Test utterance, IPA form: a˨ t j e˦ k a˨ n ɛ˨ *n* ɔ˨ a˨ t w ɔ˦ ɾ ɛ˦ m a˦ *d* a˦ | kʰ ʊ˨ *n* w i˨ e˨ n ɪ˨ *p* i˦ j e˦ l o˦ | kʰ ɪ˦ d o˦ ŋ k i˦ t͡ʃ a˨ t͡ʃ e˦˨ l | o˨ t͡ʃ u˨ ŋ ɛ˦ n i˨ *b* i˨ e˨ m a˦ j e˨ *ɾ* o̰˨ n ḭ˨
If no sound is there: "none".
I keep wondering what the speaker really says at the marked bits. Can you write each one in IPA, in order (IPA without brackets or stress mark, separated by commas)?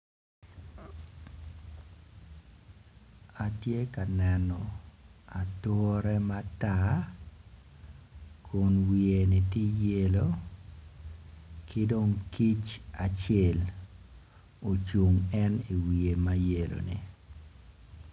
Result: n, t, n, t, w, l